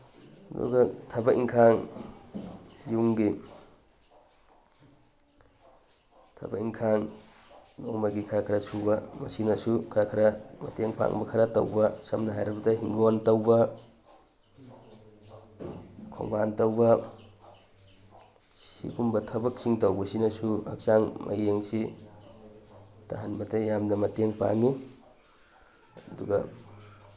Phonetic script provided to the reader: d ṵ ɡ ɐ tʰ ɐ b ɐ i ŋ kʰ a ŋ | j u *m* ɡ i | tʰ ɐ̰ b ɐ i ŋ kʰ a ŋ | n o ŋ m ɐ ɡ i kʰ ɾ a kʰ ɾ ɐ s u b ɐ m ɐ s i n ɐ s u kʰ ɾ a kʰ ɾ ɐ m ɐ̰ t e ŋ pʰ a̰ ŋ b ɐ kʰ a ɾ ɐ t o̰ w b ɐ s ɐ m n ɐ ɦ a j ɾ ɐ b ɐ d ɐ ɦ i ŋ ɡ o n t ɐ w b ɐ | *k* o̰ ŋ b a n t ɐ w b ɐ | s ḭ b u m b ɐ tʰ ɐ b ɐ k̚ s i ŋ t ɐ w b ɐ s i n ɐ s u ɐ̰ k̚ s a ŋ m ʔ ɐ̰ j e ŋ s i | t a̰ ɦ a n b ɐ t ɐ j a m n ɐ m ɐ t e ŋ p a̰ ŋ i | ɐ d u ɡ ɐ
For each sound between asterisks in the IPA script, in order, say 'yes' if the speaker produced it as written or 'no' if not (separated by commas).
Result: no, no